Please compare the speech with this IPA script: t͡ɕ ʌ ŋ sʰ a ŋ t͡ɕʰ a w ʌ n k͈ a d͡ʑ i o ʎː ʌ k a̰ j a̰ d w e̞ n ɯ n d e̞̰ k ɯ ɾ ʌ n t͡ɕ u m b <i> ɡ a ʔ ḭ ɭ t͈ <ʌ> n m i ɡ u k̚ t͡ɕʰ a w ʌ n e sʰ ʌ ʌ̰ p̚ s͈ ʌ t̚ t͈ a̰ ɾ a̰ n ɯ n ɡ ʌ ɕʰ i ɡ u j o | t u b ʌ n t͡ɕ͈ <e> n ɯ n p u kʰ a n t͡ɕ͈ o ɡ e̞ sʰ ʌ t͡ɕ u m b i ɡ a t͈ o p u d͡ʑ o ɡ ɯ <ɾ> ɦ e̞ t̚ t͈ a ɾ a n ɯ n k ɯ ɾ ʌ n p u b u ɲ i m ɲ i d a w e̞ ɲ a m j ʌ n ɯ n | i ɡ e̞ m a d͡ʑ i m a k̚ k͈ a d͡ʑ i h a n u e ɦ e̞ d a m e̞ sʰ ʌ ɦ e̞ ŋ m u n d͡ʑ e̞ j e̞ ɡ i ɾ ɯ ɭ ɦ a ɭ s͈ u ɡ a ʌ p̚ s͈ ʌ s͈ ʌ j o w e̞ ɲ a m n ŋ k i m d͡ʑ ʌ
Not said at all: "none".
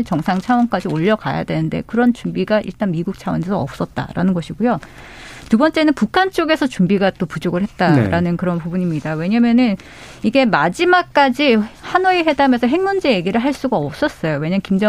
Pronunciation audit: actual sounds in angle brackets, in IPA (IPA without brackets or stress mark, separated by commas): i, a, e, ɭ